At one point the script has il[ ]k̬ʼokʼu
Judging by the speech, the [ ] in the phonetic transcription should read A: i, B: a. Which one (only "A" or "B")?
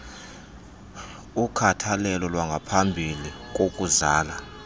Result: A